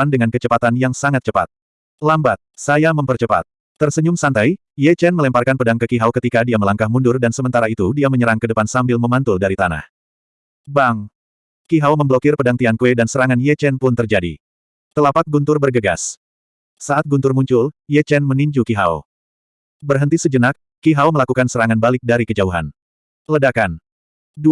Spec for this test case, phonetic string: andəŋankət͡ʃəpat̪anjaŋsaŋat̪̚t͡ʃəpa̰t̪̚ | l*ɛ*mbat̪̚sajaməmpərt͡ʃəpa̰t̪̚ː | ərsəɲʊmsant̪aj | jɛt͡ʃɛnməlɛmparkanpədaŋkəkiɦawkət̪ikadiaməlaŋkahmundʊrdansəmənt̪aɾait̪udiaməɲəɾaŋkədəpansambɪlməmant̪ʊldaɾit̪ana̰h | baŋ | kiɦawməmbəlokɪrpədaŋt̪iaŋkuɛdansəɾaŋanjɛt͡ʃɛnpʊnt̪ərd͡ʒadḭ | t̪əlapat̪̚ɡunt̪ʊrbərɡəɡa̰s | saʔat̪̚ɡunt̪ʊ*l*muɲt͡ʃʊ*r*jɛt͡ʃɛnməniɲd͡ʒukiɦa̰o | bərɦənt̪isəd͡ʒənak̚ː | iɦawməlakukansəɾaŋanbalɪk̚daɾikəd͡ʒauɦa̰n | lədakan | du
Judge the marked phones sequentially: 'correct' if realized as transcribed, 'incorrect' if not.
incorrect, incorrect, incorrect

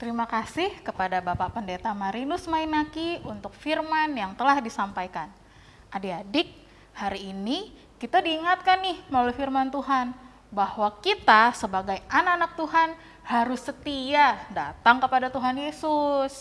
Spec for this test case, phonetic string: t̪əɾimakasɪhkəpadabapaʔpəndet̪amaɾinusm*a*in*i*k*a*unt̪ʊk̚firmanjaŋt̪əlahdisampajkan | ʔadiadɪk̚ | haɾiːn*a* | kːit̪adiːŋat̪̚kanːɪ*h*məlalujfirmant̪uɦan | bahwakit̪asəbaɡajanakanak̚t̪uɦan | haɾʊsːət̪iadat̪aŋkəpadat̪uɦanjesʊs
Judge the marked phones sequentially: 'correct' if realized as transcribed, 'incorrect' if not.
correct, incorrect, incorrect, incorrect, correct

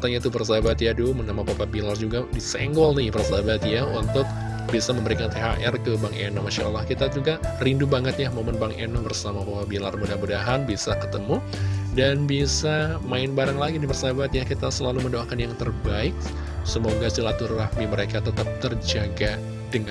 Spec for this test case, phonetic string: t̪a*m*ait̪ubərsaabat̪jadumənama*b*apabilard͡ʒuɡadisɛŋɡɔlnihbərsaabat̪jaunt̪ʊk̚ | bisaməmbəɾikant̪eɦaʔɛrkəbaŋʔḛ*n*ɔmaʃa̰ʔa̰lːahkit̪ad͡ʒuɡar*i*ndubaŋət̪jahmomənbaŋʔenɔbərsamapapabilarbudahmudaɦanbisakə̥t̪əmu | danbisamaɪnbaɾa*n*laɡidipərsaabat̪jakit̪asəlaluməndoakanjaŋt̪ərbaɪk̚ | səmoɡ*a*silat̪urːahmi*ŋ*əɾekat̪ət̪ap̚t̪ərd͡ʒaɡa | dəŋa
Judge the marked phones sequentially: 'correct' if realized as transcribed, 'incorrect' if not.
incorrect, incorrect, correct, correct, incorrect, correct, incorrect

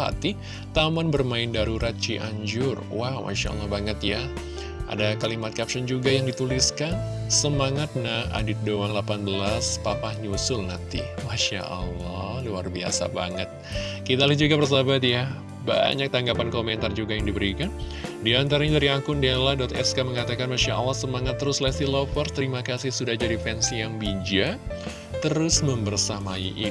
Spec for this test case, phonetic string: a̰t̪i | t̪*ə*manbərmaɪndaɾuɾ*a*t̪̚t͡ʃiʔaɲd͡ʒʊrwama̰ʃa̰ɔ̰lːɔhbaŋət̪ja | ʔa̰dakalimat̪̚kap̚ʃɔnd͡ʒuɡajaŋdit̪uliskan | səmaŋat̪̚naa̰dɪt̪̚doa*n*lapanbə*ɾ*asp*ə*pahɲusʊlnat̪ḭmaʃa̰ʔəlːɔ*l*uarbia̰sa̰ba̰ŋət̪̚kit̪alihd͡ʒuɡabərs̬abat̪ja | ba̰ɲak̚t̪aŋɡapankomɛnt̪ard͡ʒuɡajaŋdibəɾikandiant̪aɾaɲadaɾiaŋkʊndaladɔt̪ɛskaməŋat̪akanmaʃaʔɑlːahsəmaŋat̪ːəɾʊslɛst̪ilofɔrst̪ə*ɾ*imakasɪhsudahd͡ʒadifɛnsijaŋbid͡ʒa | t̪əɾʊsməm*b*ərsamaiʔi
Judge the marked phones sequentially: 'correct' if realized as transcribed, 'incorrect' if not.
incorrect, correct, incorrect, incorrect, incorrect, correct, correct, correct

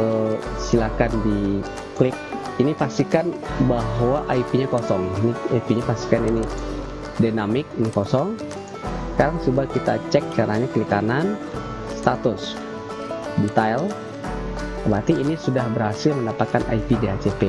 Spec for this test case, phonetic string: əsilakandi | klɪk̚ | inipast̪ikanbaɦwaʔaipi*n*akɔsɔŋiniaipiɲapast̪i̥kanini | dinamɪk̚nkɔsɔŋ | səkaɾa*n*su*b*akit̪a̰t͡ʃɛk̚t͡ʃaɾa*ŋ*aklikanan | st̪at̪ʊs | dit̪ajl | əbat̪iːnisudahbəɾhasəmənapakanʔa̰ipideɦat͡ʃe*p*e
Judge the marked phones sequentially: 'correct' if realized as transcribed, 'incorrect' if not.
incorrect, incorrect, correct, incorrect, correct

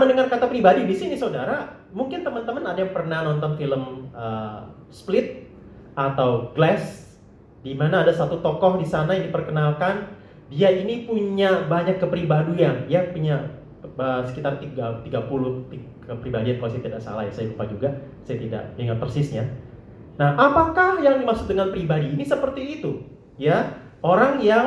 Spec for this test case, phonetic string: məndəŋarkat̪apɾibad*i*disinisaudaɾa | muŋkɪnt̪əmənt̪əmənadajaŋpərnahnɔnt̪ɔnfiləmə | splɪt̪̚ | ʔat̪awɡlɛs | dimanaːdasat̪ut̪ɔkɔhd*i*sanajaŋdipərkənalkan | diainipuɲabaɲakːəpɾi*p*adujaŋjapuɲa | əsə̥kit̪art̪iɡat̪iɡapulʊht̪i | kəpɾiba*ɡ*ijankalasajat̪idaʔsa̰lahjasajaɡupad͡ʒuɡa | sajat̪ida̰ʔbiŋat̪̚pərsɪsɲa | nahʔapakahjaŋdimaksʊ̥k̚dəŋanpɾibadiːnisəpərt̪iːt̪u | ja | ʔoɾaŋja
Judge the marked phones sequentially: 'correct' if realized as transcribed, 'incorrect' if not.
correct, correct, incorrect, incorrect

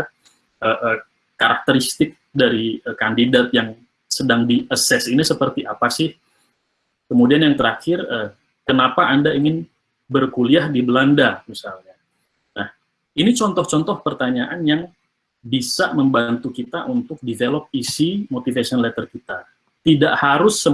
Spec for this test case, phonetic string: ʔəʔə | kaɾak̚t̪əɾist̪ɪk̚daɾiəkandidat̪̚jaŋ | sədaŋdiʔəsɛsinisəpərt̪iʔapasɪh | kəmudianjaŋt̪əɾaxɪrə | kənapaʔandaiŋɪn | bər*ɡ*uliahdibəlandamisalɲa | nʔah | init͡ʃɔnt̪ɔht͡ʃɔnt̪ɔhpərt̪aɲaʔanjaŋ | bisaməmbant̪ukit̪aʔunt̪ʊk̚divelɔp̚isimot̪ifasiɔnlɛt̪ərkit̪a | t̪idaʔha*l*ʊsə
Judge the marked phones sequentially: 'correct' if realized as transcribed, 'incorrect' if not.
incorrect, incorrect

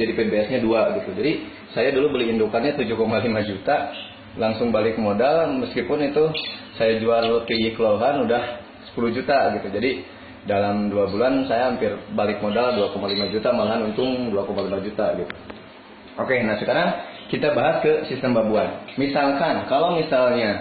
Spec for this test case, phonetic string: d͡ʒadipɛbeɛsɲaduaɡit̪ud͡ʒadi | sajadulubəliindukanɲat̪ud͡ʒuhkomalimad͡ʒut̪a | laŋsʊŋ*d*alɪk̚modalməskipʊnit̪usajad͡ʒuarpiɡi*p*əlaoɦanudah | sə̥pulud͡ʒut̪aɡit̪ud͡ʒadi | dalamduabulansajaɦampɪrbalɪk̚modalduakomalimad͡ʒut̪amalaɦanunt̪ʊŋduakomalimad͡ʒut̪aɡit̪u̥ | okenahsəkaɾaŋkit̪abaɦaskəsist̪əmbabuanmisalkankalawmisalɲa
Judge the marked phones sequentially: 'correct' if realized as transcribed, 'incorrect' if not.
incorrect, incorrect

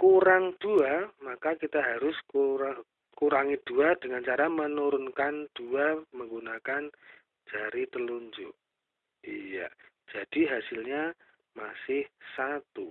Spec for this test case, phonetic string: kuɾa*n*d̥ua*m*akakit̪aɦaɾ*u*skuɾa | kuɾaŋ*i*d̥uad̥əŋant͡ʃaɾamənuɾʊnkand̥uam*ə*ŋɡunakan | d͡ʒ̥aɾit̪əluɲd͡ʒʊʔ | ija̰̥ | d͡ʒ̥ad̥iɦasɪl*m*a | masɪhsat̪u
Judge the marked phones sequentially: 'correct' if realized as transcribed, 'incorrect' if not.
incorrect, correct, incorrect, correct, correct, incorrect

